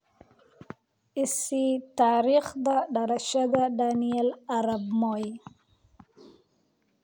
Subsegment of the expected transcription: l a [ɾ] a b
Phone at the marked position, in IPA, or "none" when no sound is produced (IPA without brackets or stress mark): ɾ